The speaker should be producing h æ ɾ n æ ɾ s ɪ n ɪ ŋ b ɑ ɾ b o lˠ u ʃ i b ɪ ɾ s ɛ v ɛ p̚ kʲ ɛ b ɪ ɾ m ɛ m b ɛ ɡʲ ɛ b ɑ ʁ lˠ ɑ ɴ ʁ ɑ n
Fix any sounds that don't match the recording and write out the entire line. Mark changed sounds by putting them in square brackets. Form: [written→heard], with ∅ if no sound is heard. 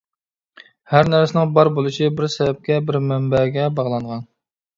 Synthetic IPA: h æ ɾ n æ ɾ s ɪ n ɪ ŋ b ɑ ɾ b o lˠ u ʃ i b ɪ ɾ s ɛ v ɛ p̚ kʲ ɛ b ɪ ɾ m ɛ m b ɛ ɡʲ ɛ b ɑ ʁ lˠ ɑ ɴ ʁ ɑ n